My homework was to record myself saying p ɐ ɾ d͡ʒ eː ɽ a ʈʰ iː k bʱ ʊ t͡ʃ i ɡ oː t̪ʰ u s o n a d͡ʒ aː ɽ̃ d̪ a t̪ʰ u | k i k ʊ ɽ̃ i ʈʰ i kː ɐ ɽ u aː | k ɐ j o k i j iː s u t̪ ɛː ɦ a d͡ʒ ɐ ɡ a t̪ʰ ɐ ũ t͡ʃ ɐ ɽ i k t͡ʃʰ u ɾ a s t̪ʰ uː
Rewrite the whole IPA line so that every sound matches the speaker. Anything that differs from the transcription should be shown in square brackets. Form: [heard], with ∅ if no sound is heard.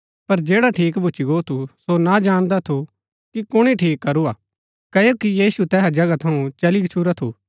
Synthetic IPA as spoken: p ɐ ɾ d͡ʒ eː ɽ a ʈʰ iː k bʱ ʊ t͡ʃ i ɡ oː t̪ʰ u s o n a d͡ʒ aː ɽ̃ d̪ a t̪ʰ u | k i k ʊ ɽ̃ i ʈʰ [iː] kː ɐ [ɾ] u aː | k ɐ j o k i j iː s u t̪ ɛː ɦ a d͡ʒ ɐ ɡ a t̪ʰ ɐ ũ t͡ʃ ɐ [l] i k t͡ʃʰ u ɾ a [∅] t̪ʰ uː